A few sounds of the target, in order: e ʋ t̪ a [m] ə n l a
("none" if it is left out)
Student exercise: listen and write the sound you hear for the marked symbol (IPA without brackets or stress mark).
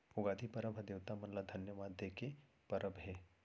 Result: m